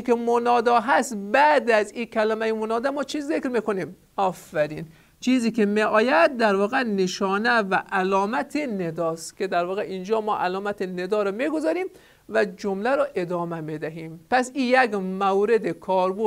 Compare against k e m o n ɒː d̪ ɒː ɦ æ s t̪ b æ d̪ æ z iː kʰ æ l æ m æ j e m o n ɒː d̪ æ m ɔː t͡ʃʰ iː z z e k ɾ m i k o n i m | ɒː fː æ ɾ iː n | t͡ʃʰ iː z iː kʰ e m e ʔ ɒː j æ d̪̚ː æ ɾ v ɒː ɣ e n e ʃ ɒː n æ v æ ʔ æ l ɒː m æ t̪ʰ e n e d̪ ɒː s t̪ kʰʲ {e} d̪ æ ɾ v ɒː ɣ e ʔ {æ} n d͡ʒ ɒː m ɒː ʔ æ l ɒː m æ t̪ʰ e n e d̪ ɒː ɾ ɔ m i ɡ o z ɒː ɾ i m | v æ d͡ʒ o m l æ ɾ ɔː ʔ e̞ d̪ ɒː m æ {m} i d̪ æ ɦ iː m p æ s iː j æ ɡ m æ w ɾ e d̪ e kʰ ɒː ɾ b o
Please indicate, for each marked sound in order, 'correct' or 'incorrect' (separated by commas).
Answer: correct, incorrect, correct